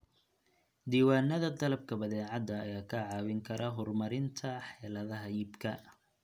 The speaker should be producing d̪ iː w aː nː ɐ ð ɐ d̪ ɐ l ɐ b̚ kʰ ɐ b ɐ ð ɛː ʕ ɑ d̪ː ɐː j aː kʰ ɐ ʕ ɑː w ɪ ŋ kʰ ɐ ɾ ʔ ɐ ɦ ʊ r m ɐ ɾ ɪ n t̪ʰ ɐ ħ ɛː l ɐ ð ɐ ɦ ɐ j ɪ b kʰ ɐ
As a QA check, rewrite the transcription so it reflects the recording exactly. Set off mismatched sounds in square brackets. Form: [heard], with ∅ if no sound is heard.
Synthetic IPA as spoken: d̪ iː w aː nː ɐ ð ɐ d̪ ɐ l ɐ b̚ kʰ ɐ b ɐ ð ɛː ʕ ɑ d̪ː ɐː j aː kʰ ɐ ʕ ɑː w ɪ ŋ kʰ ɐ ɾ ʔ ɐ ɦ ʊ r m ɐ ɾ ɪ n t̪ʰ ɐ ħ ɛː l ɐ ð ɐ ɦ ɐ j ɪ b kʰ ɐ